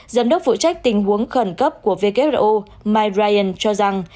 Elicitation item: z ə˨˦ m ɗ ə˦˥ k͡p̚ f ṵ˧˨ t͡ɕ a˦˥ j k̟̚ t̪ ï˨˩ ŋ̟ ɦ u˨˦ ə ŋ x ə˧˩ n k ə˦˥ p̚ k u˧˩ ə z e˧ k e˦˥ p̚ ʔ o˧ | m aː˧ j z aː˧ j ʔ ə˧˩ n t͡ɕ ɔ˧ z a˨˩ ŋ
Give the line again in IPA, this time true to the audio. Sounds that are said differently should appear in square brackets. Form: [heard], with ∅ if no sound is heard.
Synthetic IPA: z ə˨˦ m ɗ ə˦˥ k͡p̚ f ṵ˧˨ t͡ɕ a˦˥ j k̟̚ t̪ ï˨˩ ŋ̟ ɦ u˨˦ ə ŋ x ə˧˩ n k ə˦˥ p̚ k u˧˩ ə [v] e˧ k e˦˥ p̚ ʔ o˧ | m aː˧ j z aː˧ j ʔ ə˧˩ n t͡ɕ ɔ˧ z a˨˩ ŋ